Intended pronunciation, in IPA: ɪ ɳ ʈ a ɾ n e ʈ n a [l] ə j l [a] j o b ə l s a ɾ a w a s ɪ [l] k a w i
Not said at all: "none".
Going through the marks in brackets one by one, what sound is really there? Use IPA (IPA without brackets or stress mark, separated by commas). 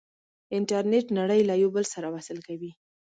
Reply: ɽ, a, l